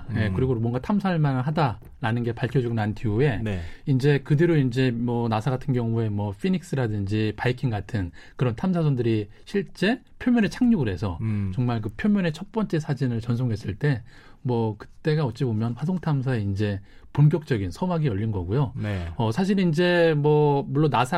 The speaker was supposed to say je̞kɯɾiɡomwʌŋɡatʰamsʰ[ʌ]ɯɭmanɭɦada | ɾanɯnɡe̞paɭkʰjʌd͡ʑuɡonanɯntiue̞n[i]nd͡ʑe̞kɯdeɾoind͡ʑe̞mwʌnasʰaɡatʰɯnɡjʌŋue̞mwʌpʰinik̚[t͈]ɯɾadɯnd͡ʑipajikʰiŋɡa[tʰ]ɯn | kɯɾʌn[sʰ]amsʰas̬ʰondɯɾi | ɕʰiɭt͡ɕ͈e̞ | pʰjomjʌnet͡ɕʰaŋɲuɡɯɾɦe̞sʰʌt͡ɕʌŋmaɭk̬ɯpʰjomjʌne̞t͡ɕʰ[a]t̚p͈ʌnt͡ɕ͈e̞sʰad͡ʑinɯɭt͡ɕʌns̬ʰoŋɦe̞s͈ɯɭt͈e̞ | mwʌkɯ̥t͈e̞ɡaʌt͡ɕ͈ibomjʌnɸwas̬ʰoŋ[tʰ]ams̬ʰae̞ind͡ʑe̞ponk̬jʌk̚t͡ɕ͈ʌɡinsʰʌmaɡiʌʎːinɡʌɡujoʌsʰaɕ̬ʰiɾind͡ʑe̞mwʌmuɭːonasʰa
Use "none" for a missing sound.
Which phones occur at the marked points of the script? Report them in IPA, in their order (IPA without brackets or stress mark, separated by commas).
a, i, s͈, tʰ, tʰ, ʌ, tʰ